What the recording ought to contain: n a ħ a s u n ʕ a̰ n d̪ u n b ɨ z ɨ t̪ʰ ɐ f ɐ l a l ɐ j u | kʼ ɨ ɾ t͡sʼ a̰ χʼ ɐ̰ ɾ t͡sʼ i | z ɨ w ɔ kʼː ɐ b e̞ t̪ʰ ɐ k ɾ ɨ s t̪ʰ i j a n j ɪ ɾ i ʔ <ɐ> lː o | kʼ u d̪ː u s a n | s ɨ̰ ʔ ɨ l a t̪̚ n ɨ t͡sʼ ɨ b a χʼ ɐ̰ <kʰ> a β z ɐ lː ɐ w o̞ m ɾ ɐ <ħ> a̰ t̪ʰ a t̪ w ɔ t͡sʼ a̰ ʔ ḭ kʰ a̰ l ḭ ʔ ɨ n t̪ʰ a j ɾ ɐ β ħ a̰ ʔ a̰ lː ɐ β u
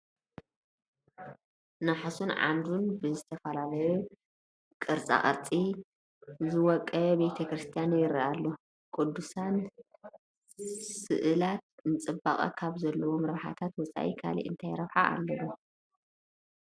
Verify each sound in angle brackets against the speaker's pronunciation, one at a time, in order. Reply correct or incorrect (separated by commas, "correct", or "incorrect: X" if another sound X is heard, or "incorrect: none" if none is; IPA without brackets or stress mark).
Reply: incorrect: a, correct, correct